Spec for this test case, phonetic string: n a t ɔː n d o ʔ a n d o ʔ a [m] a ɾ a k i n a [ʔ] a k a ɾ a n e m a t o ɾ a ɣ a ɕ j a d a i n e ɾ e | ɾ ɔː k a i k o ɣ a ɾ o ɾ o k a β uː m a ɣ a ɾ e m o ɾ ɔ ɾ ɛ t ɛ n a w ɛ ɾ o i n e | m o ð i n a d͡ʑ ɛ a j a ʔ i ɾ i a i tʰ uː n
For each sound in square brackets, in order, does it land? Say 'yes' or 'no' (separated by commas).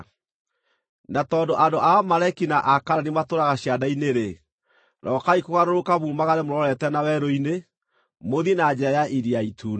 yes, yes